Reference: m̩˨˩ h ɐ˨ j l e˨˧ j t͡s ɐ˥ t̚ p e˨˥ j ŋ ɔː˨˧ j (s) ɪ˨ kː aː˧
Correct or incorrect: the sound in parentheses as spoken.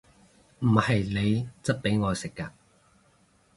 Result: correct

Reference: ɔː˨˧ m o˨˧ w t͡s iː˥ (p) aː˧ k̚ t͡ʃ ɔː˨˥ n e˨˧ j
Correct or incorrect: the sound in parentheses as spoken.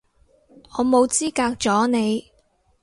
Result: incorrect: k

